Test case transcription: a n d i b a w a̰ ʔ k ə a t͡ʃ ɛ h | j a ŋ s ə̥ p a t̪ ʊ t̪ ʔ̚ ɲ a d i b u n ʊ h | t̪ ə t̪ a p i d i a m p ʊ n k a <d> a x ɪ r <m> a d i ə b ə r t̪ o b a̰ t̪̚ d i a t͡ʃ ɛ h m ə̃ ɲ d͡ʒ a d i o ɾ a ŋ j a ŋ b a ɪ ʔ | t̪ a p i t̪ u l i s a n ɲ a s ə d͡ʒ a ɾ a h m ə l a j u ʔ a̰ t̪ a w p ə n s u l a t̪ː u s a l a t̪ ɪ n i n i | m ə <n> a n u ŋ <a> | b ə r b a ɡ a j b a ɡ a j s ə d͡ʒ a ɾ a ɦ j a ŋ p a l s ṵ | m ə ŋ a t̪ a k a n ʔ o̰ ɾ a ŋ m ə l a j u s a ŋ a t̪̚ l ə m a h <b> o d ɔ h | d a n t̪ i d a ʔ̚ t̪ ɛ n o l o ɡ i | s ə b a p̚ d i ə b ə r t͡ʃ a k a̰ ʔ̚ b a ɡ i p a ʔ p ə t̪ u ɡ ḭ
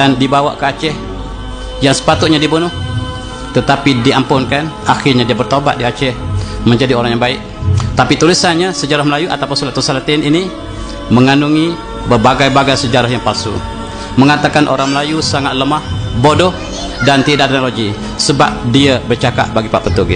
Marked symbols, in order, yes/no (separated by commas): no, no, no, no, yes